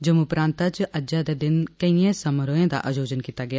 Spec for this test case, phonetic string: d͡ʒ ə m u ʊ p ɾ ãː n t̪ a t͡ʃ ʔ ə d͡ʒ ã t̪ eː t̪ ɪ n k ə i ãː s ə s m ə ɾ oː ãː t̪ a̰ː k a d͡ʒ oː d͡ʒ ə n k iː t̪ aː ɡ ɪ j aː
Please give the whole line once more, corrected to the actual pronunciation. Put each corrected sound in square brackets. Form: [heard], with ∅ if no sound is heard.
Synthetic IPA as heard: d͡ʒ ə m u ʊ p ɾ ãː n t̪ a t͡ʃ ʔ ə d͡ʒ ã [d̪] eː [d̪] ɪ n k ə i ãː s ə [∅] m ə ɾ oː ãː [d̪] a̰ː [ʔ] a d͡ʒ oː d͡ʒ ə n k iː t̪ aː ɡ ɪ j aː